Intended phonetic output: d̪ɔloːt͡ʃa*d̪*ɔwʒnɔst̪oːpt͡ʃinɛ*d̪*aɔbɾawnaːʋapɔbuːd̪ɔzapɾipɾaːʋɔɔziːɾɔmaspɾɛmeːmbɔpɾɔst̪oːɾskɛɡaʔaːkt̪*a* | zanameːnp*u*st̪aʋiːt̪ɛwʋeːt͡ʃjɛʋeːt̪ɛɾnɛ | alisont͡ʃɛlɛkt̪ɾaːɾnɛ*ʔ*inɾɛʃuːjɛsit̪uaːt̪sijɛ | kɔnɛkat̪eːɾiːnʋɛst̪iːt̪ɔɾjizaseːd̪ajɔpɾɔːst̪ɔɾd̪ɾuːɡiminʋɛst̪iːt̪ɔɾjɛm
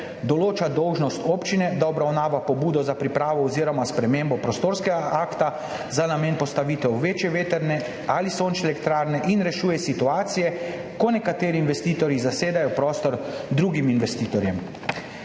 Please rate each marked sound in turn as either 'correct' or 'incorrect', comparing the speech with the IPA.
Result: correct, correct, correct, incorrect, correct

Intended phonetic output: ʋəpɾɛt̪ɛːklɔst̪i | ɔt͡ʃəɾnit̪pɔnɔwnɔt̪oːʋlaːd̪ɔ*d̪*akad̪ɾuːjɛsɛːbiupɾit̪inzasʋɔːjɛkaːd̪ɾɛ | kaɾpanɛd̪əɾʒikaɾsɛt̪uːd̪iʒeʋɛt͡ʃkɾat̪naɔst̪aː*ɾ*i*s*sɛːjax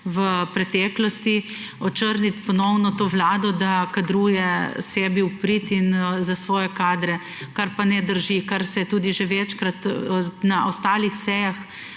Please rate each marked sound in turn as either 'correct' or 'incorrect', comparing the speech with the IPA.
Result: correct, incorrect, incorrect

